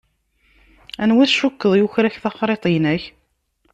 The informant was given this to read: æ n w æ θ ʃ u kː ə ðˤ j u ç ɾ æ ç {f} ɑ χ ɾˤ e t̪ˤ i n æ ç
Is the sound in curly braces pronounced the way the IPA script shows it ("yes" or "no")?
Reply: no